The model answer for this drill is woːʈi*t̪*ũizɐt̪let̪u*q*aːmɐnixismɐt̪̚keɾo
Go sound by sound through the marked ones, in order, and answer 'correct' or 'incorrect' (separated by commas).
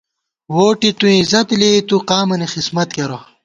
correct, correct